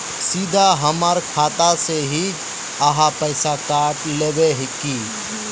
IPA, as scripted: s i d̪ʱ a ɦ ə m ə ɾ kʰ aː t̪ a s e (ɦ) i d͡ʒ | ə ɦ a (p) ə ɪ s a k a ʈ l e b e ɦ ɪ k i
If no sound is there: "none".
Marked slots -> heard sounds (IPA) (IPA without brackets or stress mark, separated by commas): ɦ, p